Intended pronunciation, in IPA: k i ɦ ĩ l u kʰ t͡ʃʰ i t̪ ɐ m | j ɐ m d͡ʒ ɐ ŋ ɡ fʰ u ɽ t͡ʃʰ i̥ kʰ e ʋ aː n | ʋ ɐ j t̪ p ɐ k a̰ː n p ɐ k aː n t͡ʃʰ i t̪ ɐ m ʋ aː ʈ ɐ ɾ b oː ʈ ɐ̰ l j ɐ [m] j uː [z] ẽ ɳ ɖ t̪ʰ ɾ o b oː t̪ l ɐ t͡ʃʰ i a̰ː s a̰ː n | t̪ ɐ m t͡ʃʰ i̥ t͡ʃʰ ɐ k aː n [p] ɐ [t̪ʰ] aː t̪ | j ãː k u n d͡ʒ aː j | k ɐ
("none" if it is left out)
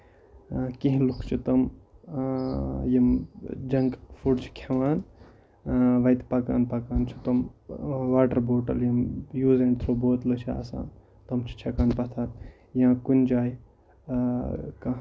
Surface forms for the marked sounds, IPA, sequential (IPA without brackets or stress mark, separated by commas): m, z, p, t̪ʰ